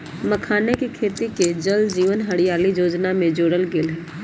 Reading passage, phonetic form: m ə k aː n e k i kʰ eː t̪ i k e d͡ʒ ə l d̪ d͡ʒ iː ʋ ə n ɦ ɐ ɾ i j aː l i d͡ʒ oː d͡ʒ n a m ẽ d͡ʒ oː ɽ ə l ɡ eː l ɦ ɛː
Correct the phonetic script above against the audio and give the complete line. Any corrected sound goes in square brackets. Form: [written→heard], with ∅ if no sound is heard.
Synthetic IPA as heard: m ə [k→kʰ] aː n e k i kʰ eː t̪ i k e d͡ʒ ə l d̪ d͡ʒ iː ʋ ə n ɦ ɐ [ɾ→ɽ] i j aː l i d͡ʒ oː d͡ʒ n a m ẽ d͡ʒ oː ɽ ə l ɡ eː l ɦ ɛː